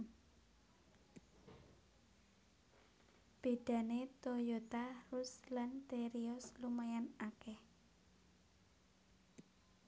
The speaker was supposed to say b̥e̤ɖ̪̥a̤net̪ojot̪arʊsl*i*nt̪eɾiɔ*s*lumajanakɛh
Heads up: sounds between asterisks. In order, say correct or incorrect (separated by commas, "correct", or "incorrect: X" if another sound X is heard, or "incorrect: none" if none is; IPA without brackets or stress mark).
incorrect: a, correct